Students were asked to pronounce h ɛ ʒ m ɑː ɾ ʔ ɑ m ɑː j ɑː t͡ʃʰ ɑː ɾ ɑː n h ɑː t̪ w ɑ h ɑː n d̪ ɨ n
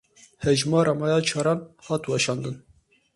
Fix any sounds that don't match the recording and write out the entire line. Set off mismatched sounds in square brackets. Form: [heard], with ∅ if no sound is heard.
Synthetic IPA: h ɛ ʒ m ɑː ɾ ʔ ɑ m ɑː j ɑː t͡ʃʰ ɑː ɾ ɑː n h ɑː t̪ w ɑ [ʃ] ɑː n d̪ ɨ n